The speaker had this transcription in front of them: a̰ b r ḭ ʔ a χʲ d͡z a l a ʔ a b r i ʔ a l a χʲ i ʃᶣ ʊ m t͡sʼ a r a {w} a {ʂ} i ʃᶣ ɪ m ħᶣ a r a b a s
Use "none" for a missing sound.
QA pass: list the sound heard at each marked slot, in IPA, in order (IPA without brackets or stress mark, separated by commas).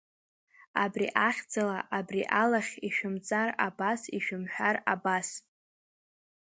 b, s